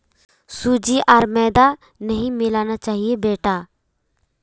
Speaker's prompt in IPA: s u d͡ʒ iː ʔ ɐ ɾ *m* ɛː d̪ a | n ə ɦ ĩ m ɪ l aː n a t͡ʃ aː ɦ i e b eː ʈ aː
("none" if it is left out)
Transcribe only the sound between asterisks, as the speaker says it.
m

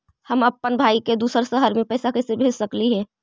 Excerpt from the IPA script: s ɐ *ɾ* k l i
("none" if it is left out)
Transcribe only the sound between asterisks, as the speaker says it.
none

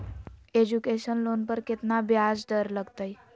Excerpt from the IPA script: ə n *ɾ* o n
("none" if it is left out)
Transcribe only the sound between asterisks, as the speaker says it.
l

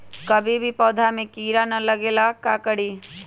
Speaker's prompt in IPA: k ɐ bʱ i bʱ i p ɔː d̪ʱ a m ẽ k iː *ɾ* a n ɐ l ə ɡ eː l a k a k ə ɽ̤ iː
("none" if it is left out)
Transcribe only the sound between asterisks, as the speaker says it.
ɾ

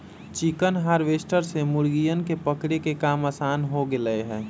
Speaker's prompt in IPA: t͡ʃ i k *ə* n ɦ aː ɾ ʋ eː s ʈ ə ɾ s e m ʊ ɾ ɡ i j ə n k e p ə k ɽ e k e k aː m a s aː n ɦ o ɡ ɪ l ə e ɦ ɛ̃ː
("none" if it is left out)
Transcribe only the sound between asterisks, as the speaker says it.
ə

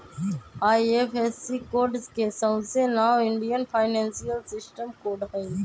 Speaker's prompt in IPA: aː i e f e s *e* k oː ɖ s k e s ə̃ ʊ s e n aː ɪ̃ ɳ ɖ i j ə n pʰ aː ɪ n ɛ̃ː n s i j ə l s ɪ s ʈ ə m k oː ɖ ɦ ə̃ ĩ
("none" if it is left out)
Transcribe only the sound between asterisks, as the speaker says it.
i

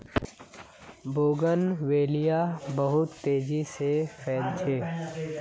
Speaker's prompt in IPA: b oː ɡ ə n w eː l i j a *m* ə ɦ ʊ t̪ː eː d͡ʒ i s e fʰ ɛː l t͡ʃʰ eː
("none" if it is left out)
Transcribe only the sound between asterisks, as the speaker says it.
b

